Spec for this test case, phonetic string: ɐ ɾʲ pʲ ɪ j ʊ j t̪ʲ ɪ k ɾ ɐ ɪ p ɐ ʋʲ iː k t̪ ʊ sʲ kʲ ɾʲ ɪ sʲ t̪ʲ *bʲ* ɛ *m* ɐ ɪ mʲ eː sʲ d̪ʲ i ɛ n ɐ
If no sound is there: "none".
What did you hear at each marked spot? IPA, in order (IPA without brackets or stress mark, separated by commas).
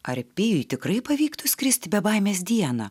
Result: bʲ, b